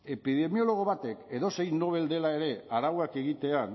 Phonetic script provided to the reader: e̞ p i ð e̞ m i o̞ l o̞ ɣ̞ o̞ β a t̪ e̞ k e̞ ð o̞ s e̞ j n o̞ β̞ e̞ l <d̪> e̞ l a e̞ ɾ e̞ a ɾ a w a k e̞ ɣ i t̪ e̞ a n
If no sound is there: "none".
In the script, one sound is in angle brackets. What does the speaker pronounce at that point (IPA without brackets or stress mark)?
d̪